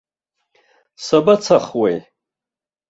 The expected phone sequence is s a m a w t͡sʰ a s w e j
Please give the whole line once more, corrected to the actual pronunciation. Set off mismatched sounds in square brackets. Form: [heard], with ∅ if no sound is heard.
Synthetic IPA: s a [b] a [∅] t͡sʰ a [χ] w e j